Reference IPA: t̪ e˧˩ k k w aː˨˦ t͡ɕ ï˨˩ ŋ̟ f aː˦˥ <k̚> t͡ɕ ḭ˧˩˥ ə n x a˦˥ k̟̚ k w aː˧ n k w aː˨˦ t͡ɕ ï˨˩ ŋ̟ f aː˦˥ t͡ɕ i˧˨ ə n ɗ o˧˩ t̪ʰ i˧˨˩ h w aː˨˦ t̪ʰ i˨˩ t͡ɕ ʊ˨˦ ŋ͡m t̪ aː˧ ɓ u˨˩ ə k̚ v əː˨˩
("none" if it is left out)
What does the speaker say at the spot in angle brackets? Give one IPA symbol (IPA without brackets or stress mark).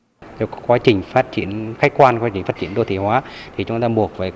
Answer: t̚